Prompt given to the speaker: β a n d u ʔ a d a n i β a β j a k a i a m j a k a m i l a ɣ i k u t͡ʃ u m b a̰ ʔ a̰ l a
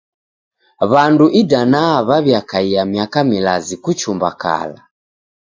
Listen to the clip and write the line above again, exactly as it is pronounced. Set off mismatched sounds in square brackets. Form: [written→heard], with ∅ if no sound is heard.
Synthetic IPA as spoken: β a n d u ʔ [a→i] d a n [i→a] β a β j a k a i a m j a k a m i l a [ɣ→z] i k u t͡ʃ u m b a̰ [ʔ→k] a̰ l a